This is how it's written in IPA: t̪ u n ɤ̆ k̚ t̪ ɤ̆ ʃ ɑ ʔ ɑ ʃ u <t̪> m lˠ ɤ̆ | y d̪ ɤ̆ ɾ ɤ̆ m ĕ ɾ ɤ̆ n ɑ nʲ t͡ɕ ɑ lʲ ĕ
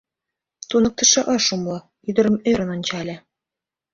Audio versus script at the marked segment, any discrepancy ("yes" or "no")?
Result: yes